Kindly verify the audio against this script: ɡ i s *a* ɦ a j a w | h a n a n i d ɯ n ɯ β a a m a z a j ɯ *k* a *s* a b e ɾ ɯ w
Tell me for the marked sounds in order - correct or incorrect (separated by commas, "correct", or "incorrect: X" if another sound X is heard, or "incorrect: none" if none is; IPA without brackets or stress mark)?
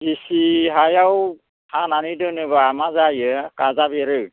incorrect: i, correct, incorrect: z